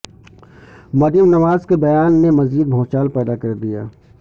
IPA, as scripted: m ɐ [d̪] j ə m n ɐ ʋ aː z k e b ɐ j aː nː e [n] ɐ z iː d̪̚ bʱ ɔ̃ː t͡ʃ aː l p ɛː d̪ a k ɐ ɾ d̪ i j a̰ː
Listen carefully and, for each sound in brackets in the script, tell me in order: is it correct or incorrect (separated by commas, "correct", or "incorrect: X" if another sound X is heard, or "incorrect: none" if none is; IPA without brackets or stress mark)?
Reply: correct, incorrect: m